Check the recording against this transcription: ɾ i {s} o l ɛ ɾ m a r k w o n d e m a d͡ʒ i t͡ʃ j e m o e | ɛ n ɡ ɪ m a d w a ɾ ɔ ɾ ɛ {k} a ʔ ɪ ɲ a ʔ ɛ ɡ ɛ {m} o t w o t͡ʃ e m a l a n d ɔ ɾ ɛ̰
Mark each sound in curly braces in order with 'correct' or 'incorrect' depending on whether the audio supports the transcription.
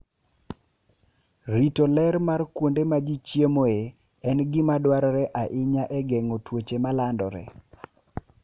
incorrect: t, incorrect: ʔ, incorrect: ŋ

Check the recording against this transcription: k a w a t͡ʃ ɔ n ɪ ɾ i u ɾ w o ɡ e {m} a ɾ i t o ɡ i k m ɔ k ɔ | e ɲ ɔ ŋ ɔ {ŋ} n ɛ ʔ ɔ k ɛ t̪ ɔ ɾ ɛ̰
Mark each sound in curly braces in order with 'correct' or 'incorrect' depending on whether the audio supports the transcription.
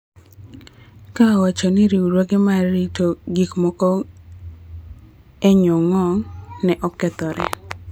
correct, correct

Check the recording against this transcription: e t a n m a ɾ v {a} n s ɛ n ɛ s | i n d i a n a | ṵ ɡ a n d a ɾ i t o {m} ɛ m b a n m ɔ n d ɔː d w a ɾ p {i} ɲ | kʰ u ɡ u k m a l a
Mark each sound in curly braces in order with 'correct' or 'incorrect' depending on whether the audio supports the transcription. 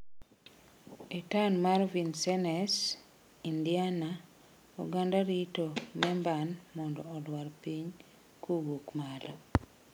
incorrect: i, correct, correct

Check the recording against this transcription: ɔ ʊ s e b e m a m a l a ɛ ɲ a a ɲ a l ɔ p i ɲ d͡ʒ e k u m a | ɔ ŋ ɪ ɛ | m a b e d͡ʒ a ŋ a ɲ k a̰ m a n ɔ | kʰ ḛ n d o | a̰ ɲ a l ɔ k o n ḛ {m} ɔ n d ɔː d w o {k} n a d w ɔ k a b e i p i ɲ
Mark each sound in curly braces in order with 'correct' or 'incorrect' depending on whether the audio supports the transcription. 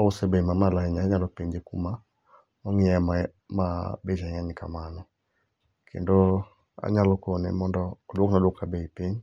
correct, correct

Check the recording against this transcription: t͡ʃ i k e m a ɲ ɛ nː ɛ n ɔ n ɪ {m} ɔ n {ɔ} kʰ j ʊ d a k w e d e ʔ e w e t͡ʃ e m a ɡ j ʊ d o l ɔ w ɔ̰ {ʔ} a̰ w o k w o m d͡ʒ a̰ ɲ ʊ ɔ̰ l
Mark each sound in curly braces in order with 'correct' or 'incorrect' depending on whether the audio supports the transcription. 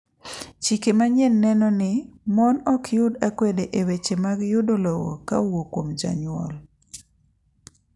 correct, correct, incorrect: k

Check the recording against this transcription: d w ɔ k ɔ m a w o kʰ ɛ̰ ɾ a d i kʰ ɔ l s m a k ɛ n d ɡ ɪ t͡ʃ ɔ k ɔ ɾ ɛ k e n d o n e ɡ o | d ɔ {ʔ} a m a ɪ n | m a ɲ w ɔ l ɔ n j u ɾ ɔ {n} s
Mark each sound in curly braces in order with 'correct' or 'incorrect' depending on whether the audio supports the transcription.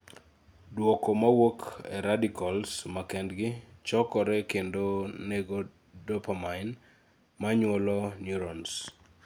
incorrect: p, correct

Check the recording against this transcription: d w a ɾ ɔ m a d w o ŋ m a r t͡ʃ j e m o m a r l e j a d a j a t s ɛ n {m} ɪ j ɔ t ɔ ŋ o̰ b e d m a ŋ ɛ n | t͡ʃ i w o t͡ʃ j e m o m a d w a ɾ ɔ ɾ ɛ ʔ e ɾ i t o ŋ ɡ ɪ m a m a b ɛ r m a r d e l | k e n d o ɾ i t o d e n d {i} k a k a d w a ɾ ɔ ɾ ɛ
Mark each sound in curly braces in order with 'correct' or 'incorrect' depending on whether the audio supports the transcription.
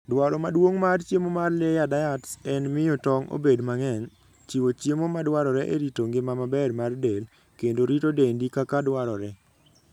correct, correct

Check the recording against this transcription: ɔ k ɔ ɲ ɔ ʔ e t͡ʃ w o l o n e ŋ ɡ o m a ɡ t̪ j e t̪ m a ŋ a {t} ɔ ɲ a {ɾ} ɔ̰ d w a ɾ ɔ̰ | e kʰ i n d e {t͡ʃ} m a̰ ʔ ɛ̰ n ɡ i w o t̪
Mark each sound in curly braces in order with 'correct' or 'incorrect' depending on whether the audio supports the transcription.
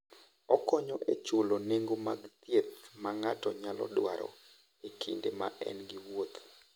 correct, incorrect: l, incorrect: none

